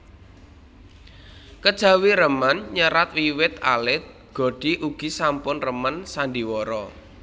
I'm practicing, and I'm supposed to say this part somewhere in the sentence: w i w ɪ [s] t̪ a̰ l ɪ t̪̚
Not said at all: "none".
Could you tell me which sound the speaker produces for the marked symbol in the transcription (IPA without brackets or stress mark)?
none